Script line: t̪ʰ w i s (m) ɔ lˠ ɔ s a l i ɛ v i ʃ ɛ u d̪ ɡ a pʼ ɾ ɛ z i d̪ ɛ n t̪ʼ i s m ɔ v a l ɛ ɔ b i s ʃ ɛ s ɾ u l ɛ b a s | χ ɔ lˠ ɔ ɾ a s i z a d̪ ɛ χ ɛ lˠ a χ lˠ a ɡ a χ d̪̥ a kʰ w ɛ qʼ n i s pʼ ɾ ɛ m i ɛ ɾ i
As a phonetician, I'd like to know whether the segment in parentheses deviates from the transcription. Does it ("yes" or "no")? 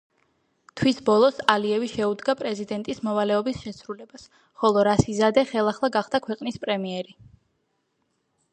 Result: yes